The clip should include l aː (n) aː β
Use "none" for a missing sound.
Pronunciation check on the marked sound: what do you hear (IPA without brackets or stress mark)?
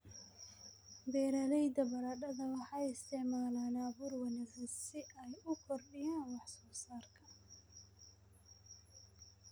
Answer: n